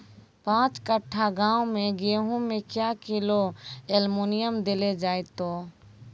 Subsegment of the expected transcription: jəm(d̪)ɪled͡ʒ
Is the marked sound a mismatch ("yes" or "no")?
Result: no